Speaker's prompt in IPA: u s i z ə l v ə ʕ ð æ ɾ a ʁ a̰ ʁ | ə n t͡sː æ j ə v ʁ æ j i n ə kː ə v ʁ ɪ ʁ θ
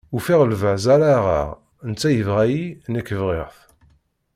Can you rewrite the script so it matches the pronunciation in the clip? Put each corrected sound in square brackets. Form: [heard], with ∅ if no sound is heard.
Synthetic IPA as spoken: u [f] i [ʁ] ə l v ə ʕ [z] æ ɾ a ʁ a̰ ʁ | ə n t͡sː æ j ə v ʁ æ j i n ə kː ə v ʁ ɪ ʁ θ